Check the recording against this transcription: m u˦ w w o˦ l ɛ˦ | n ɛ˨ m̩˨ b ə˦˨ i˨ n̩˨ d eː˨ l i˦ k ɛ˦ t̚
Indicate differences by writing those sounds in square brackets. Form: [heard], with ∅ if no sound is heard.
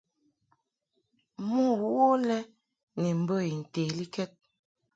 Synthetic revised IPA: m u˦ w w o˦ l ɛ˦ | n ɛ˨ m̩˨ b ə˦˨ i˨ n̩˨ [t] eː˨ l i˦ k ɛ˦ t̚